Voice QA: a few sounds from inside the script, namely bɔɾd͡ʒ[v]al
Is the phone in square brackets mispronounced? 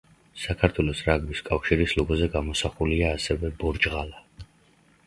yes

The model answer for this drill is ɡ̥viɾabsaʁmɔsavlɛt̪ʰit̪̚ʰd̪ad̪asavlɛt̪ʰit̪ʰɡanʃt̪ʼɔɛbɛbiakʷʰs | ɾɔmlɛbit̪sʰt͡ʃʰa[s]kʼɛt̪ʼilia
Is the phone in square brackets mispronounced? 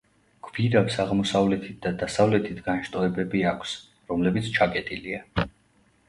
yes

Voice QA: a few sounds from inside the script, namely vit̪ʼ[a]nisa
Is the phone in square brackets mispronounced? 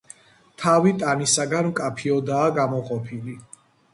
no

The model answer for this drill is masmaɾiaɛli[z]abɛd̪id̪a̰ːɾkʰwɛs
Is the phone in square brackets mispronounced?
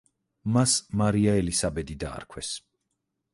yes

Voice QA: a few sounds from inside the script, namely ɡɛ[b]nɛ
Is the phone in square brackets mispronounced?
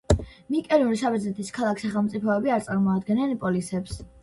yes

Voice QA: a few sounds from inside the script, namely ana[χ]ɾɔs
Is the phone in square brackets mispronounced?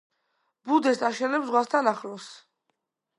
no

